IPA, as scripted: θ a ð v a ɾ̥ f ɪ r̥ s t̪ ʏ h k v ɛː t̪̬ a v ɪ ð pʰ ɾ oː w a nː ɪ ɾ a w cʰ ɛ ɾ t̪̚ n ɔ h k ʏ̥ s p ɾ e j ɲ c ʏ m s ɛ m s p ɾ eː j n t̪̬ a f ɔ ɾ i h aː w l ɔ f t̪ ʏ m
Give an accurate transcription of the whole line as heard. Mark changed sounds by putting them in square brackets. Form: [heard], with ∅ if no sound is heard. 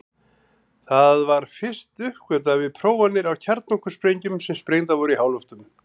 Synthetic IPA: θ a ð v a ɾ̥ f ɪ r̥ s t̪ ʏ h k v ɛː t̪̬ a v ɪ ð pʰ ɾ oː w a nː ɪ ɾ a w cʰ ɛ ɾ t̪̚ n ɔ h k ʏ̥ s p ɾ e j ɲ c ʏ m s ɛ m s p ɾ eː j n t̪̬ a [v] ɔ ɾ i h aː w l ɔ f t̪ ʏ m